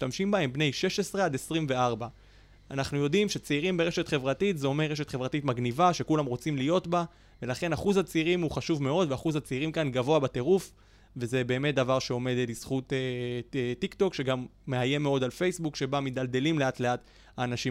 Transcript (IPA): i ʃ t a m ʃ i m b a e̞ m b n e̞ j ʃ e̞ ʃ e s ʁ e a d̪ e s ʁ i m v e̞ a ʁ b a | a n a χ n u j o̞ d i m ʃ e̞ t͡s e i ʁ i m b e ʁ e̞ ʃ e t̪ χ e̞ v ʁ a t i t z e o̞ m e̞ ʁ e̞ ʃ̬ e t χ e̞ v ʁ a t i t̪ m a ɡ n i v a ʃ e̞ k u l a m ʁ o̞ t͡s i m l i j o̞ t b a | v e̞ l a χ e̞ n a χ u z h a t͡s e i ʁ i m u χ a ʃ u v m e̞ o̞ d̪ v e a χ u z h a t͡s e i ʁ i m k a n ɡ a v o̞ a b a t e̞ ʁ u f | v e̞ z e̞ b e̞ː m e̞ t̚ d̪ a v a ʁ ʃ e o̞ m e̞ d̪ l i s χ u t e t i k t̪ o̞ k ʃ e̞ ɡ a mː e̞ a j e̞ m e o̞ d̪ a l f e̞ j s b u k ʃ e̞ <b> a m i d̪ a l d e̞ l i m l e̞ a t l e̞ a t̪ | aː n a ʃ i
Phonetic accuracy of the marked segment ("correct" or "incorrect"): correct